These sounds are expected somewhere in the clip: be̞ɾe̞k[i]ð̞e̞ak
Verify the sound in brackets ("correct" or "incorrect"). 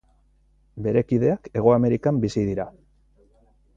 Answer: correct